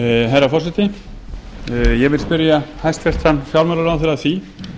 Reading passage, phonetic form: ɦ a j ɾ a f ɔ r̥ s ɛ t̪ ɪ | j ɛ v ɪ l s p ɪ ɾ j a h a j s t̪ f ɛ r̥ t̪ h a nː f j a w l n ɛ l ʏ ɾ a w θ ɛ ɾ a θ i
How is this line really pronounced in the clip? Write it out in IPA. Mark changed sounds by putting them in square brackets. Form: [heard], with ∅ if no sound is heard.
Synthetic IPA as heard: ɦ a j ɾ a f ɔ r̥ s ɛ t̪ ɪ | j ɛ v ɪ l s p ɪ ɾ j a h a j s t̪ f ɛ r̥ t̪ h a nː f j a w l [m] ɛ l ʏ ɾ a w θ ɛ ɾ a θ i